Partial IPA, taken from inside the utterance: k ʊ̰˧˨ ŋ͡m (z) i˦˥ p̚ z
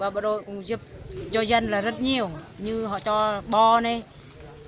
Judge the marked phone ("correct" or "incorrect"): correct